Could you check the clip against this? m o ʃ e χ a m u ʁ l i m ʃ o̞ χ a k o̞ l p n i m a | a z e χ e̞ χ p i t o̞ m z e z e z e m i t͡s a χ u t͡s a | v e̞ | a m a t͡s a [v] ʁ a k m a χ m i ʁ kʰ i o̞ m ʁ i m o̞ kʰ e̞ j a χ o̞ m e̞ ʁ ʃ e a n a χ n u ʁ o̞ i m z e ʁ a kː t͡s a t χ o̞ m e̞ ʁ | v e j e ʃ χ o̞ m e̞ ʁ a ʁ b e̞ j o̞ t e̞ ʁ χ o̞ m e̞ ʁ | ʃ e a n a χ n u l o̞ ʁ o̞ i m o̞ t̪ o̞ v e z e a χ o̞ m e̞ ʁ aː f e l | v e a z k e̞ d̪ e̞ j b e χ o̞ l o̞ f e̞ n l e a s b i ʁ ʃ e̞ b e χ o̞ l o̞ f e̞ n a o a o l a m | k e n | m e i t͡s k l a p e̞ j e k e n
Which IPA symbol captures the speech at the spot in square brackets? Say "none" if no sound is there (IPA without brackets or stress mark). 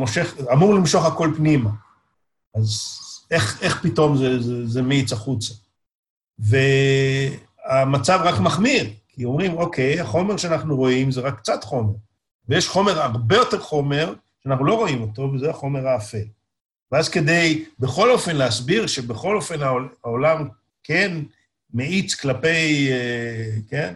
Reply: v